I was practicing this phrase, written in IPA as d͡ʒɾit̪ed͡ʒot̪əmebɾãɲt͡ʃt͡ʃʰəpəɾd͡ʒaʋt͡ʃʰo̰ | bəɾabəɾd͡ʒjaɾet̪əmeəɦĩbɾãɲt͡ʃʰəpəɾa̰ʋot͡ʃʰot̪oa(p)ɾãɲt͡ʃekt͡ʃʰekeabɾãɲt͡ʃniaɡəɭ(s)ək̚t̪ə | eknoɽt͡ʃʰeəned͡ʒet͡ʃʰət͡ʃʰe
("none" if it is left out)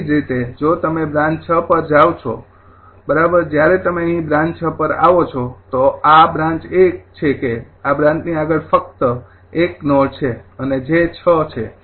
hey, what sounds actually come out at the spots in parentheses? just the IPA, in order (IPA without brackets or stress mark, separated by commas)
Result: b, f